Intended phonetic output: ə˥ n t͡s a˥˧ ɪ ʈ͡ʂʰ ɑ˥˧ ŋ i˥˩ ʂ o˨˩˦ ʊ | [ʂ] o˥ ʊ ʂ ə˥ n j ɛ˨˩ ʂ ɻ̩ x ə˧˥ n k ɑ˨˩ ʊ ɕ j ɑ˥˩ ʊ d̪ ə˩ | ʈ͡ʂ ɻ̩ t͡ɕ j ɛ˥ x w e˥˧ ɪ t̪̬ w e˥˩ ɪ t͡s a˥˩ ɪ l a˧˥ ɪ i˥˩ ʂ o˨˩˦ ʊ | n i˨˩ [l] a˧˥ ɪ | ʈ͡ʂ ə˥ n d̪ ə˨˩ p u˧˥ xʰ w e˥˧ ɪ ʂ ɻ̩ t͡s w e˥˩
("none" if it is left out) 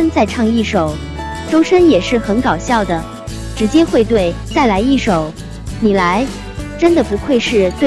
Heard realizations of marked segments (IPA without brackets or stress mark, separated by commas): ʈ͡ʂ, l